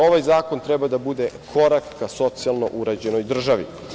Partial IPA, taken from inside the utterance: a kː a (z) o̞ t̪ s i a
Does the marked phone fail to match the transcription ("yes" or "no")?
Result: yes